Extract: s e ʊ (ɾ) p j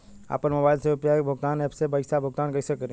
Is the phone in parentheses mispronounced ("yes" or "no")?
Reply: yes